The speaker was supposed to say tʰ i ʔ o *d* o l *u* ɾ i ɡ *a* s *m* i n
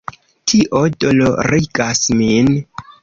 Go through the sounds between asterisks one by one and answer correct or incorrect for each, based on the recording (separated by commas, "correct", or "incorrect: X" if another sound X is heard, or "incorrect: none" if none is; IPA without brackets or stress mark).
correct, incorrect: o, correct, correct